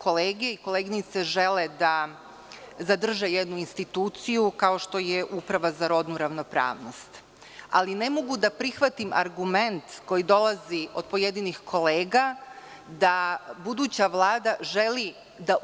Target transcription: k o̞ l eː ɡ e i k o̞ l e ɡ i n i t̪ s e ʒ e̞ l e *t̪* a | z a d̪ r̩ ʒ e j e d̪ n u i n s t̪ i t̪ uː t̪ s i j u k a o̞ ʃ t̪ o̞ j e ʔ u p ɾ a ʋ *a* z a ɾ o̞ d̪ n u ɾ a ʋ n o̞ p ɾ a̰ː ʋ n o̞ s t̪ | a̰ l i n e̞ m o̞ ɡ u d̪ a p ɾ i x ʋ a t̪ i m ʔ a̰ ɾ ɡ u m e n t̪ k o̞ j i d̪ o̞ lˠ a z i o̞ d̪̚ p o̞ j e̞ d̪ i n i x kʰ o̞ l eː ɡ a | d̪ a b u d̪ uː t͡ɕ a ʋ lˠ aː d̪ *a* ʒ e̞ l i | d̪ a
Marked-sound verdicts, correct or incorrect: incorrect: d̪, correct, correct

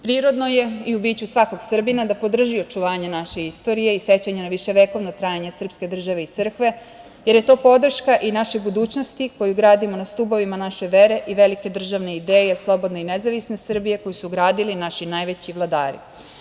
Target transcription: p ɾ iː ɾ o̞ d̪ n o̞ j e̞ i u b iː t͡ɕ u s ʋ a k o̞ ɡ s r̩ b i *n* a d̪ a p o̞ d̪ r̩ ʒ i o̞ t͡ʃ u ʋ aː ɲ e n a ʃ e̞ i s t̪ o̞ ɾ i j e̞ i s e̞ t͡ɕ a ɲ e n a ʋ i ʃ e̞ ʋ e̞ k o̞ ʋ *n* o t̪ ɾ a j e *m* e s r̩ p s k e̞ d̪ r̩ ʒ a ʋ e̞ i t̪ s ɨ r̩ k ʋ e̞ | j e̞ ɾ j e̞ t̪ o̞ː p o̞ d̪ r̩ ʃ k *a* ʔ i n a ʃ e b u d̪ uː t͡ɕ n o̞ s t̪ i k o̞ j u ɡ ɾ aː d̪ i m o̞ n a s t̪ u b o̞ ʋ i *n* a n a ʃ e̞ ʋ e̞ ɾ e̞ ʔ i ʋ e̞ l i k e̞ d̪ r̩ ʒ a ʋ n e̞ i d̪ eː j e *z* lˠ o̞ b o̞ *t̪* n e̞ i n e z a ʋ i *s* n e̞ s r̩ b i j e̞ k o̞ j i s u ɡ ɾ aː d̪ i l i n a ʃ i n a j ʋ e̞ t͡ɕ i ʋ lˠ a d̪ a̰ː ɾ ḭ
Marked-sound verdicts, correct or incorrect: correct, correct, incorrect: ɲ, correct, incorrect: m, incorrect: s, incorrect: d̪, correct

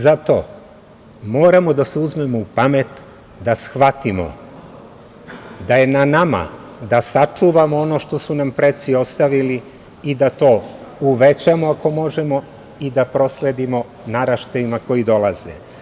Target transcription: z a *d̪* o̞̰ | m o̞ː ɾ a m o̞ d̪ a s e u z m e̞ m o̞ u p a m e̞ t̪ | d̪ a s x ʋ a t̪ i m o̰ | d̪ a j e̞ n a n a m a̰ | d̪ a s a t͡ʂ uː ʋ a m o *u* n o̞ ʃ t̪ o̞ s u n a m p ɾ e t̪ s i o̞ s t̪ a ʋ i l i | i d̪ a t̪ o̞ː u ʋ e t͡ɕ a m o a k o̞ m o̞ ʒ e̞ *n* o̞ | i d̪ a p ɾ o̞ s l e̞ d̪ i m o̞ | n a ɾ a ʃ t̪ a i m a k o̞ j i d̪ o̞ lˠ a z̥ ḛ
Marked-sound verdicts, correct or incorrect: incorrect: t̪, incorrect: o, incorrect: m

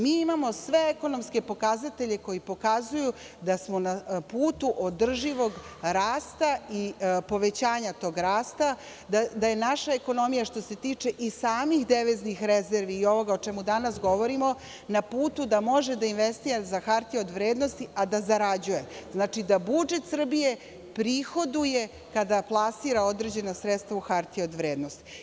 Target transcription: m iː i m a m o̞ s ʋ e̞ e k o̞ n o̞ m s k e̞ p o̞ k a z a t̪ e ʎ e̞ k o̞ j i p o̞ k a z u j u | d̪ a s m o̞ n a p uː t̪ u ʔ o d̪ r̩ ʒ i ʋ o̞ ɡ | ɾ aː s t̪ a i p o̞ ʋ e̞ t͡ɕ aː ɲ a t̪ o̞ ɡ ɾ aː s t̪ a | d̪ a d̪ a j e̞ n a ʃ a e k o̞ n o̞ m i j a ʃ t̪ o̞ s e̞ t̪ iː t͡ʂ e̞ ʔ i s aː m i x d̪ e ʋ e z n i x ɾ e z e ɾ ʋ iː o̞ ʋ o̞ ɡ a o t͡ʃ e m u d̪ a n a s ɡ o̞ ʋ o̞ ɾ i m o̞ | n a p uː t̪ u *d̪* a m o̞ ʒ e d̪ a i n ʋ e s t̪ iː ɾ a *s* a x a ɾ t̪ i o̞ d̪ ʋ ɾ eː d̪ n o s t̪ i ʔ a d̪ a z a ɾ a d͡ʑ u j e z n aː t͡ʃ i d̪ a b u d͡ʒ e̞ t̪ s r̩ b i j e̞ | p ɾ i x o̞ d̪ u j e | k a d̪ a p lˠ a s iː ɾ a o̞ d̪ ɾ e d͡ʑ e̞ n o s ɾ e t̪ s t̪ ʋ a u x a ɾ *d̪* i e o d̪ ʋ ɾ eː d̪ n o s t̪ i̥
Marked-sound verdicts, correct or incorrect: correct, incorrect: z, incorrect: t̪

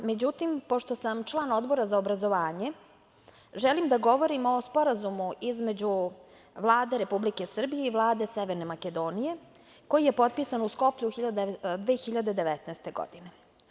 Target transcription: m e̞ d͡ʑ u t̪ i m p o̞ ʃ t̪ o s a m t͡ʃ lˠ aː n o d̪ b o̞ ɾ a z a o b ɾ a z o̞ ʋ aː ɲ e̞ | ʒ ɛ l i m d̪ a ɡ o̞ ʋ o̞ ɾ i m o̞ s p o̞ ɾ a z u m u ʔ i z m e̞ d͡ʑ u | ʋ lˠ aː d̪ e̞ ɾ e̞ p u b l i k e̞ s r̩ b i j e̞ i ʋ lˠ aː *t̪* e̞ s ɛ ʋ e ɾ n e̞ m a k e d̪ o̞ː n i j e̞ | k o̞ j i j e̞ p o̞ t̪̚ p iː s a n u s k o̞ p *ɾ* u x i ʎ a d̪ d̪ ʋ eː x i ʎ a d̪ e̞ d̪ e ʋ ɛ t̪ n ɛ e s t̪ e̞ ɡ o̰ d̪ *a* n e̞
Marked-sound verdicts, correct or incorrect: incorrect: d̪, incorrect: ʎ, incorrect: i

